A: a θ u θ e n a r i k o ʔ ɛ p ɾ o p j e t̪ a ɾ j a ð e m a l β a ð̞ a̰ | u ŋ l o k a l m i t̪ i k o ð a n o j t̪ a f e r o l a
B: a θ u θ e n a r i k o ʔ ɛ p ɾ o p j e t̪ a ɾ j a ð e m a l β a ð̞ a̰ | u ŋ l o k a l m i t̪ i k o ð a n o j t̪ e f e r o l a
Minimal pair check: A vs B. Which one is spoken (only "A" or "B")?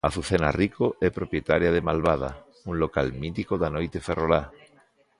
B